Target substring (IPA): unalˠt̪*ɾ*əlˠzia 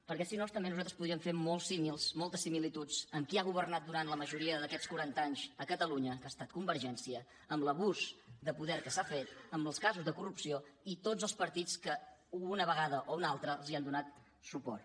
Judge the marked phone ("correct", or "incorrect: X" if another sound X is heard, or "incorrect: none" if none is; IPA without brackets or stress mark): correct